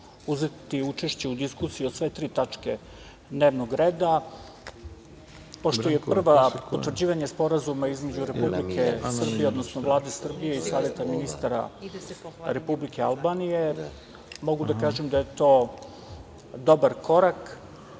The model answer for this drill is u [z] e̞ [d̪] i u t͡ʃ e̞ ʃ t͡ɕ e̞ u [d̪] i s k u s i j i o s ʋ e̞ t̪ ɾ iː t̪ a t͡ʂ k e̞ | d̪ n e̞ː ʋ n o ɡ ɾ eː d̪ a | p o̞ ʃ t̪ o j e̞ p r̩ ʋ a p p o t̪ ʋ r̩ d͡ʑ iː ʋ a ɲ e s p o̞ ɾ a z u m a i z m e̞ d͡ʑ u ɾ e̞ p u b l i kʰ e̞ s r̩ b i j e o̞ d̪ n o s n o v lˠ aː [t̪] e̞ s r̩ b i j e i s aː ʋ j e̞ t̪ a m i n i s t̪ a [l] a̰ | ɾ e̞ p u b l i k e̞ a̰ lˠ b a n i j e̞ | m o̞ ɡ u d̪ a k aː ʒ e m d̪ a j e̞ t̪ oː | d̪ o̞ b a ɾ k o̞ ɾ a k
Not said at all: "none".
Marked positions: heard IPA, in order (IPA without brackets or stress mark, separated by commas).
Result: z, t̪, d̪, d̪, ɾ